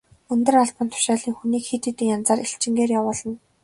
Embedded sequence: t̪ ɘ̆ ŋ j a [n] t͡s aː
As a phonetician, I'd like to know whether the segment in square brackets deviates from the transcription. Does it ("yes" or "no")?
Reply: no